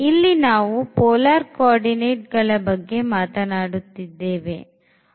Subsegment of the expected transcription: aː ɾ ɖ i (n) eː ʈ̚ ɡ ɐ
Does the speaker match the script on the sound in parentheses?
yes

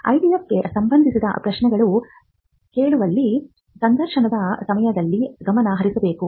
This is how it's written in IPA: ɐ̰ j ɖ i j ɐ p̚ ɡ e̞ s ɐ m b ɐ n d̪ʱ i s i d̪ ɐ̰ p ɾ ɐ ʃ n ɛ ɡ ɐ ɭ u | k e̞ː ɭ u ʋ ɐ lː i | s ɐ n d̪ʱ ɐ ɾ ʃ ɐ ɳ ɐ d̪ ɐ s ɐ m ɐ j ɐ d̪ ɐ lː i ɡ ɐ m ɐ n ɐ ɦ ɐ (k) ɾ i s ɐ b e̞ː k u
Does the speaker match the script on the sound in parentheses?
no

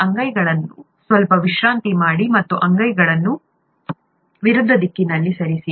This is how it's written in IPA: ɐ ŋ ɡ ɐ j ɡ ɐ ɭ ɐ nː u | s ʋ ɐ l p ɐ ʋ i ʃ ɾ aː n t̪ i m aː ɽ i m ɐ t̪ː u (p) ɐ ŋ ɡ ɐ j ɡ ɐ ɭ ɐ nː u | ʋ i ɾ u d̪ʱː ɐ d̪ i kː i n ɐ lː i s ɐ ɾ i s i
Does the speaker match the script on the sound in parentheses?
no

